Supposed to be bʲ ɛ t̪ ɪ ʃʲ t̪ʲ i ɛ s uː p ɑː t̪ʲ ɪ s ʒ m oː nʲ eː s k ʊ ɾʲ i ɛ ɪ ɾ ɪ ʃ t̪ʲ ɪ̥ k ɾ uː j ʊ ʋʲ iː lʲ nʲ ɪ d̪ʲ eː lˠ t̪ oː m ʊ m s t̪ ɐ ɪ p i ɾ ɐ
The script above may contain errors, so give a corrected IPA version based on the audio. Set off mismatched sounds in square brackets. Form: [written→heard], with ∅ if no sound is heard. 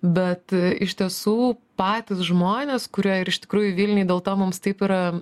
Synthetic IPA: bʲ ɛ t̪ ɪ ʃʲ t̪ʲ i ɛ s uː p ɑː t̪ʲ ɪ s ʒ m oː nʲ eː s k ʊ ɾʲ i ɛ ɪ ɾ ɪ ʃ t̪ʲ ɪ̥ k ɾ uː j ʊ ʋʲ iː lʲ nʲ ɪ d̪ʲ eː lˠ t̪ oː m ʊ m s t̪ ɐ ɪ p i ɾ ɐ